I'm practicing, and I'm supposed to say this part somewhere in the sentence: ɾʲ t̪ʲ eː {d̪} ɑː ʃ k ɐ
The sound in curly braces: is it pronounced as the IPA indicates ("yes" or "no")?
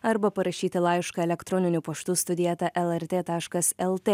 no